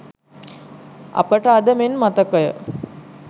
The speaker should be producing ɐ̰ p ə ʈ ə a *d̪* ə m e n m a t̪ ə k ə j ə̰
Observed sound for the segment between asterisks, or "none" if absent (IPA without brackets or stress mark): d̪